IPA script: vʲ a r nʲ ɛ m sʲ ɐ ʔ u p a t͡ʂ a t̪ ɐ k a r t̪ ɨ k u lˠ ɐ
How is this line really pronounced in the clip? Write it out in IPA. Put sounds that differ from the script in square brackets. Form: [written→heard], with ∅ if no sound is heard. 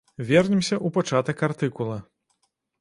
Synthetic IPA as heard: vʲ [a→ɛ] r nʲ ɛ m sʲ ɐ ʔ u p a t͡ʂ a t̪ ɐ k a r t̪ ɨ k u lˠ ɐ